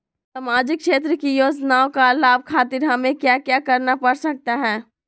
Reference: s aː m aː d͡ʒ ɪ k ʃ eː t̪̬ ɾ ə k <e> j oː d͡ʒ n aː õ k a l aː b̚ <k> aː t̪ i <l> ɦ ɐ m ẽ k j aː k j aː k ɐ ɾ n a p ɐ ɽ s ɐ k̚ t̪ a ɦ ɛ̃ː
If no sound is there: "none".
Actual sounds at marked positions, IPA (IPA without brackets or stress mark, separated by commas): i, kʰ, ɾ